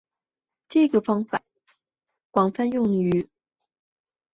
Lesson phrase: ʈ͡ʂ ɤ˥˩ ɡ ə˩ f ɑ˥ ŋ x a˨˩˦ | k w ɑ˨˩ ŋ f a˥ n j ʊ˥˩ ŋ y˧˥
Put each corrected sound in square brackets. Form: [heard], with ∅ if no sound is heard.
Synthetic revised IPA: ʈ͡ʂ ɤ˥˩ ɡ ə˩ f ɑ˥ ŋ [f] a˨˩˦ | k w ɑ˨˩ ŋ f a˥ n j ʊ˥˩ ŋ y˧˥